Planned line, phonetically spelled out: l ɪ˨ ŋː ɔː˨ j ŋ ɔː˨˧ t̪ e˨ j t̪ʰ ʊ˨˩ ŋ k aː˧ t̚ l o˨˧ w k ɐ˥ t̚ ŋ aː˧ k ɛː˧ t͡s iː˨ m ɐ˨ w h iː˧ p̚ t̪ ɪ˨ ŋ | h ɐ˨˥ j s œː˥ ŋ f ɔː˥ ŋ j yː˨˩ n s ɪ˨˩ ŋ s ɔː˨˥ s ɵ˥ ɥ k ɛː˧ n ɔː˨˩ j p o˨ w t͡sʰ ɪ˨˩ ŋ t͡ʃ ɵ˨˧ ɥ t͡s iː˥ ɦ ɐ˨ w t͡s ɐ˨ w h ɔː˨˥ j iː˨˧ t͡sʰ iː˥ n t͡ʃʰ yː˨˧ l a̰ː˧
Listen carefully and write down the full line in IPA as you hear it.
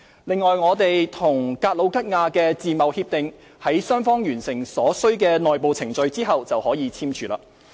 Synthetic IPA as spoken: l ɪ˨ ŋː ɔː˨ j ŋ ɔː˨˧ t̪ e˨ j t̪ʰ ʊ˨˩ ŋ k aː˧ t̚ l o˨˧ w k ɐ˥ t̚ ŋ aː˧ k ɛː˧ t͡s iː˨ m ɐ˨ w h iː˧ p̚ t̪ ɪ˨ ŋ | h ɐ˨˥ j s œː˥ ŋ f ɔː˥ ŋ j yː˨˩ n s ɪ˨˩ ŋ s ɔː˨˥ s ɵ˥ ɥ k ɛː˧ n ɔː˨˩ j p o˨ w t͡sʰ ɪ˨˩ ŋ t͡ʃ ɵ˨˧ ɥ t͡s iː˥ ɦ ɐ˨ w t͡s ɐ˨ w h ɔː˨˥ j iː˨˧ t͡sʰ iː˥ m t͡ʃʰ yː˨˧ l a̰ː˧